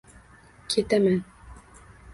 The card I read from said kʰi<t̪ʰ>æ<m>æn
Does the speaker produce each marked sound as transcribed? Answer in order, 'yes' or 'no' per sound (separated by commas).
no, yes